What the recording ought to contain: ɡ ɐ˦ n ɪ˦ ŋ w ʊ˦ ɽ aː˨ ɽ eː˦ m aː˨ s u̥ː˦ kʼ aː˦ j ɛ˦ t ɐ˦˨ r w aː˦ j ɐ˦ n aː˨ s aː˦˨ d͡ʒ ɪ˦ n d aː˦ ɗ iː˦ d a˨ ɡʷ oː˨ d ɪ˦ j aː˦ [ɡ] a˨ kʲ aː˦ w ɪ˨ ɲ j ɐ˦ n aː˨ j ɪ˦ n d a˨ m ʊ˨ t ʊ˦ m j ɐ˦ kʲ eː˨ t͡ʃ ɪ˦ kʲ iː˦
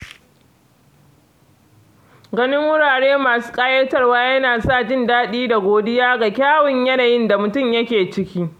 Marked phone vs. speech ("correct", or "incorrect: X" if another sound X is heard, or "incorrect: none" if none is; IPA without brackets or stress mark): correct